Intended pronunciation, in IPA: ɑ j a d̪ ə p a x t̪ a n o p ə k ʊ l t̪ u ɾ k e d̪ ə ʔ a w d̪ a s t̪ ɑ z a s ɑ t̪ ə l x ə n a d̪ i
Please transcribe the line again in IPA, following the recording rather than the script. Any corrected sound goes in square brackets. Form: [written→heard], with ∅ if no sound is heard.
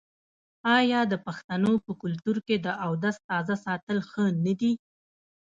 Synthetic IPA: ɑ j [a→ɑ] d̪ ə p a x t̪ a n o p ə k ʊ l t̪ u ɾ k e d̪ ə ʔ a w d̪ a s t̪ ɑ z a s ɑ t̪ ə l x ə n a d̪ i